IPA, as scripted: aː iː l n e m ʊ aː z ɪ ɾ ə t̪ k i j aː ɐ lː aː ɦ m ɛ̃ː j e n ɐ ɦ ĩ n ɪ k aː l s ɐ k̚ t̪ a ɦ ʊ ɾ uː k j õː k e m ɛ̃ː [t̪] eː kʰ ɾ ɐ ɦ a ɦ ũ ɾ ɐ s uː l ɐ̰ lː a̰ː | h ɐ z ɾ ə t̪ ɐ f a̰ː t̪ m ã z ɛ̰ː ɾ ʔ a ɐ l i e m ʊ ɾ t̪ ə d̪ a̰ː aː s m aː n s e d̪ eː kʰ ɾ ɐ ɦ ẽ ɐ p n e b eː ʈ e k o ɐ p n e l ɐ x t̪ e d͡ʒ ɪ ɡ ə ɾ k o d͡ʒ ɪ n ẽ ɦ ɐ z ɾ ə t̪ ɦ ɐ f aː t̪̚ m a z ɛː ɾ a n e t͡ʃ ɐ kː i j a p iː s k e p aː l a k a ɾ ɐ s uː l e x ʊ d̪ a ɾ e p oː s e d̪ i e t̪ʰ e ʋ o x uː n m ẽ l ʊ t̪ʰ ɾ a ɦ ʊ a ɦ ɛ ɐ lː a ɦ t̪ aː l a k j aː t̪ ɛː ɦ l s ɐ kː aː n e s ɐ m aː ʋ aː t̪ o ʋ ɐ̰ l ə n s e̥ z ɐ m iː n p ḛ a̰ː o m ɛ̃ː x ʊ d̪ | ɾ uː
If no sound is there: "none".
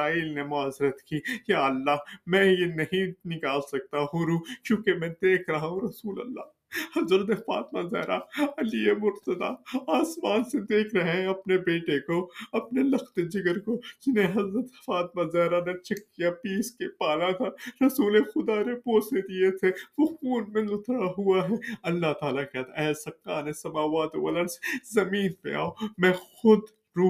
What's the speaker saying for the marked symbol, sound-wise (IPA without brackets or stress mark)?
d̪